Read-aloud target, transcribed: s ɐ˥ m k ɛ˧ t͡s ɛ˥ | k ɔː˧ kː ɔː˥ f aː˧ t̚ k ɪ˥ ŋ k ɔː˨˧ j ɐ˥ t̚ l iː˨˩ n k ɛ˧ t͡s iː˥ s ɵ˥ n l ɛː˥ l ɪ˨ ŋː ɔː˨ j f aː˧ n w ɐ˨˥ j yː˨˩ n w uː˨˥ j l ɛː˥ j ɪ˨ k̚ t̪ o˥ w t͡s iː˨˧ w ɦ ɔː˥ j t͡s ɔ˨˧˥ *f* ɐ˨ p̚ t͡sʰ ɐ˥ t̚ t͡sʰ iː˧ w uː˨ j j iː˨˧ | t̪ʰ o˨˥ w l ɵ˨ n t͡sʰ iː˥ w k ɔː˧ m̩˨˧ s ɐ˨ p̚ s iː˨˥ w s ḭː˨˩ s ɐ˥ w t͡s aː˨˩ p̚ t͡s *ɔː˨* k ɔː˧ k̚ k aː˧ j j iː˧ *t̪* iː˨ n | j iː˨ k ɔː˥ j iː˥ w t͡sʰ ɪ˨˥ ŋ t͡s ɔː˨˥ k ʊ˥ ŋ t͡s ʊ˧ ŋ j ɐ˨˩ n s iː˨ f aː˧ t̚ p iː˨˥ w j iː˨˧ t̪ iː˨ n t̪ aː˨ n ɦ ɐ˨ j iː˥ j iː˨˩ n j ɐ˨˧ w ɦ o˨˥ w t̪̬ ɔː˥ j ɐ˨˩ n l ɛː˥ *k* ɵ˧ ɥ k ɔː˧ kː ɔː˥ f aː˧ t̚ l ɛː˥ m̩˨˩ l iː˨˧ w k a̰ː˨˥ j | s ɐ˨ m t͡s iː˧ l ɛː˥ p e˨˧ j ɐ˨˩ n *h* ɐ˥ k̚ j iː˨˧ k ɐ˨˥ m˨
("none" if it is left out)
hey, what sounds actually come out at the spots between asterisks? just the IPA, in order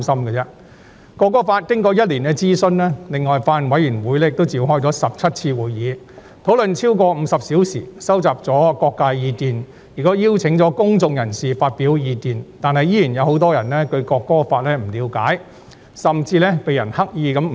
s, ɔː˨˥, t̪, k, h

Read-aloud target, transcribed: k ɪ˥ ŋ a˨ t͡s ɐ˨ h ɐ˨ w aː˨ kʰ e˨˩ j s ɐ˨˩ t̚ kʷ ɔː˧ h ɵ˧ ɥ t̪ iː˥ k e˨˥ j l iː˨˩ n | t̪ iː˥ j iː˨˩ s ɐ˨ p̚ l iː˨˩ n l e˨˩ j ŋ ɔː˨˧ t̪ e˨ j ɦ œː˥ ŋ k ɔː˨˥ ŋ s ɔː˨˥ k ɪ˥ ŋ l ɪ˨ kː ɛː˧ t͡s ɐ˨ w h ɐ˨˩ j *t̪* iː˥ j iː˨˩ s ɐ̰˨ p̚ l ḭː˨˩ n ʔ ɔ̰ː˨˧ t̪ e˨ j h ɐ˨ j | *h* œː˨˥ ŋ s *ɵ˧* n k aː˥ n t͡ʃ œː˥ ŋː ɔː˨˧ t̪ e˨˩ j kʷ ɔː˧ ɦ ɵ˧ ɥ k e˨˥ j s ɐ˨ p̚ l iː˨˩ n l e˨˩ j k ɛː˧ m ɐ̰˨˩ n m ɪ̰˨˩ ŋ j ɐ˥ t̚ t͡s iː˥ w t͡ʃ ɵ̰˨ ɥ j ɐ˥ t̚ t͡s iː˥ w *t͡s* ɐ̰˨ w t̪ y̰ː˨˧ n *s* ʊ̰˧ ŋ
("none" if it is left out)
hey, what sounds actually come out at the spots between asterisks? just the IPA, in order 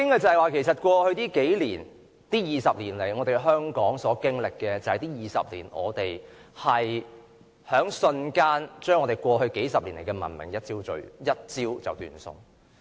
t̪, h, ɵ˧, t͡s, s

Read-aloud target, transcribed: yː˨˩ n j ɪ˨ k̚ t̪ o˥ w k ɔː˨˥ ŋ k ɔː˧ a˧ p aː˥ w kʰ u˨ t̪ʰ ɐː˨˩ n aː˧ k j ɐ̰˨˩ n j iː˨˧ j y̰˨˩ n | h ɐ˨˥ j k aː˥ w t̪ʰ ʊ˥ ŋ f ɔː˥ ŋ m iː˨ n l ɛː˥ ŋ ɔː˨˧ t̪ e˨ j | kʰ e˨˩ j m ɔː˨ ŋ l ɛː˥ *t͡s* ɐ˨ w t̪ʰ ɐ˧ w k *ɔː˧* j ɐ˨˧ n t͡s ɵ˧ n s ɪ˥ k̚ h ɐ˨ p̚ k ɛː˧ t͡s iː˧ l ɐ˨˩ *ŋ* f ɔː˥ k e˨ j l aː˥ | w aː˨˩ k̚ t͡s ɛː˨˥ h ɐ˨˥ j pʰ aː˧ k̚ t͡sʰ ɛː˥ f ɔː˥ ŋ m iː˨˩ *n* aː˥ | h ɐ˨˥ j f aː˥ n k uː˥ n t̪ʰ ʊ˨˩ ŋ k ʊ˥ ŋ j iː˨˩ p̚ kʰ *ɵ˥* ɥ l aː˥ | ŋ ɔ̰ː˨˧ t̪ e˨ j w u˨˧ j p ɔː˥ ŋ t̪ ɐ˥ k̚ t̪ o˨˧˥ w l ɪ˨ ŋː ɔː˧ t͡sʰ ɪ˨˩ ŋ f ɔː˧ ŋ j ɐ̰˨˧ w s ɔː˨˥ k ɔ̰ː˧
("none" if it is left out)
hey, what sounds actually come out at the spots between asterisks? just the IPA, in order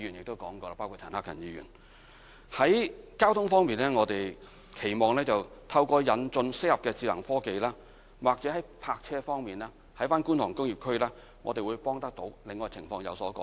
t͡s, ɔː˧, ŋ, n, ɵ˥

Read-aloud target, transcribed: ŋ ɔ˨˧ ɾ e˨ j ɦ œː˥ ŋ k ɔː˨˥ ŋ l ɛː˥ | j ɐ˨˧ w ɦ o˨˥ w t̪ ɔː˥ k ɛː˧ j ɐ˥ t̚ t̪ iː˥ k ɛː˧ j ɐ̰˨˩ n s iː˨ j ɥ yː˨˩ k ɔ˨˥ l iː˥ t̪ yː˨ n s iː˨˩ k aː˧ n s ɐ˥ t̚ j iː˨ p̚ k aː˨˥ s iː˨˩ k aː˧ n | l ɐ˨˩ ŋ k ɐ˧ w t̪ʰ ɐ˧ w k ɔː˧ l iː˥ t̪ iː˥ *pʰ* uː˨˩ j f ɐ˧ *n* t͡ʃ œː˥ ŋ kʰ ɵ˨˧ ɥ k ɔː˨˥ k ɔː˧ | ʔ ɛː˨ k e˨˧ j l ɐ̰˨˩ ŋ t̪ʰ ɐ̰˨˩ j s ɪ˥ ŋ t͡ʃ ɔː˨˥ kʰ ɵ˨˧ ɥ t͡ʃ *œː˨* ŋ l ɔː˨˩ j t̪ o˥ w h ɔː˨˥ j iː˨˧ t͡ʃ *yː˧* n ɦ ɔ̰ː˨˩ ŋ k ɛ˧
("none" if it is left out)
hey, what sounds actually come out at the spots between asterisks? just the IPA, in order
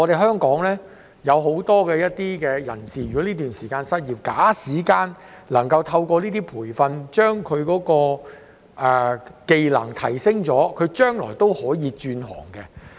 pʰ, n, œː˥, yː˧

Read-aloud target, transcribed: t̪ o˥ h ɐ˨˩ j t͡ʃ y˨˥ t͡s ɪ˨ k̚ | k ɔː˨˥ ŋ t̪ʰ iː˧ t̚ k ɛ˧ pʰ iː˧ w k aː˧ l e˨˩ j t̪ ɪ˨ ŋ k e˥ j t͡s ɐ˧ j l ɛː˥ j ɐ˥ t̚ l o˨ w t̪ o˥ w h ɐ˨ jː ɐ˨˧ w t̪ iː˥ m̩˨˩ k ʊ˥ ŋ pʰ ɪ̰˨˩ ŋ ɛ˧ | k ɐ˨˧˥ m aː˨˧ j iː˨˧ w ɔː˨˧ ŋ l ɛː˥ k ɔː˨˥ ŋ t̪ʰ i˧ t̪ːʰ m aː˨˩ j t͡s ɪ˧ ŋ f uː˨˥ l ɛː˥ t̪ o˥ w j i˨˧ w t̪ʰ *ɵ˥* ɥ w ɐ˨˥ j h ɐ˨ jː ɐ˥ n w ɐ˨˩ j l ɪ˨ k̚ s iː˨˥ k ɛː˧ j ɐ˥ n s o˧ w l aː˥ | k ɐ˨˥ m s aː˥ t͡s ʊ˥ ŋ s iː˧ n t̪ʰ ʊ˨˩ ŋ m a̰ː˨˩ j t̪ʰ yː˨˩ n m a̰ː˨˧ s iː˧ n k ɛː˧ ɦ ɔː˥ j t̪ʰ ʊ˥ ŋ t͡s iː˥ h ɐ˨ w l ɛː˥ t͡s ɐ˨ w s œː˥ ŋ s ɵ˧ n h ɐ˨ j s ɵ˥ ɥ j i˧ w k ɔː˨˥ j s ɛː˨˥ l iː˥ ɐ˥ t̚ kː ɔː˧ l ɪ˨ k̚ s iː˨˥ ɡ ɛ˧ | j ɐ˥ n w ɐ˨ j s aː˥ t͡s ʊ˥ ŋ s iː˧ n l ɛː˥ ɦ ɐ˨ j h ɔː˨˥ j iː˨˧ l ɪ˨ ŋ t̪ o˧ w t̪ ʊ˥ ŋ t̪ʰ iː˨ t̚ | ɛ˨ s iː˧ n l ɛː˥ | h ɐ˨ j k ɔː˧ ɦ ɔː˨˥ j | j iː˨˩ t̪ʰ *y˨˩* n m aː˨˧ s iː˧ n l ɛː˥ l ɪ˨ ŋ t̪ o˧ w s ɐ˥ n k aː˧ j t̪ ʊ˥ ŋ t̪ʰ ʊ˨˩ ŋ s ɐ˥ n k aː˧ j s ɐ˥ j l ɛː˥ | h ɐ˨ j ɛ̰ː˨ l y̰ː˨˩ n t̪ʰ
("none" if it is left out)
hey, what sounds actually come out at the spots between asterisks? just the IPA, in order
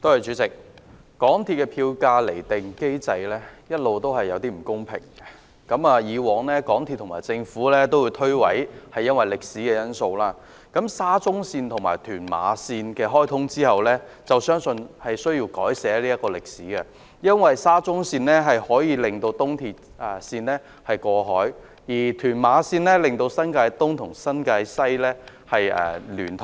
ɵ˥, yː˨˩

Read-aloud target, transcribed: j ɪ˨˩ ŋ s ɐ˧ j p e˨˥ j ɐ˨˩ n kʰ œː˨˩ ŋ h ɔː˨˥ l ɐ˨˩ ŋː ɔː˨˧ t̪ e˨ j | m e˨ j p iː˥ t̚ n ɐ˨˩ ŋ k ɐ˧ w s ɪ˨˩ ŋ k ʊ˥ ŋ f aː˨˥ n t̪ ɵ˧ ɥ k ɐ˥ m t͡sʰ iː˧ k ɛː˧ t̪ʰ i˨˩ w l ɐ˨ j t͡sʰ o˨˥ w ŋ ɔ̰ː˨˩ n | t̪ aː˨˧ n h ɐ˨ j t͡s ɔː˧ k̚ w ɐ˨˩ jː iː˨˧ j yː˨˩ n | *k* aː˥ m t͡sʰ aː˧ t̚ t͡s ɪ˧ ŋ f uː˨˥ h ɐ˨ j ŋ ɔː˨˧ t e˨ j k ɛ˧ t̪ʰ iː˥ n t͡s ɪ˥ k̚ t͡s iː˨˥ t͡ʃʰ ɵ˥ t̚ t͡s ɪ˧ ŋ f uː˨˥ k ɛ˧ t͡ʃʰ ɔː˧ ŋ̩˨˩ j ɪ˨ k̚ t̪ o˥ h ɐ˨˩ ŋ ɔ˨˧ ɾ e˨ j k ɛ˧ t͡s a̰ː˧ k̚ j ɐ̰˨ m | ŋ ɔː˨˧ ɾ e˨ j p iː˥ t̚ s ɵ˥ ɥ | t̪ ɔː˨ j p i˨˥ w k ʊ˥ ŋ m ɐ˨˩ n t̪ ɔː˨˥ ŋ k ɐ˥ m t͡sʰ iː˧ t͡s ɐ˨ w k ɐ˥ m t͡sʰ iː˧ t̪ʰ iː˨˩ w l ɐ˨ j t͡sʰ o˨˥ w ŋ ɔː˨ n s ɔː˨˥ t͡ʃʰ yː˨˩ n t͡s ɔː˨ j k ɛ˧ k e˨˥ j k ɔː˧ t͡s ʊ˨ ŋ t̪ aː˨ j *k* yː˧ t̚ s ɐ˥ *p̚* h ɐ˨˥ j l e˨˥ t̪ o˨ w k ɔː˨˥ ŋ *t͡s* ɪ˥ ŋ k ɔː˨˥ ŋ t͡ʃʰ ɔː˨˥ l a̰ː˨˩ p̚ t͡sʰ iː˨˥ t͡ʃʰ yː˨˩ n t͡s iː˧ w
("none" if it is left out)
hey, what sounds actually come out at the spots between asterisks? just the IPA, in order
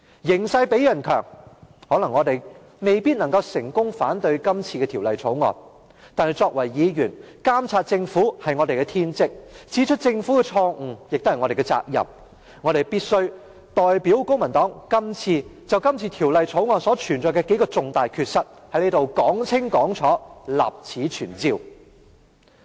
k, kʰ, t̚, t͡sʰ

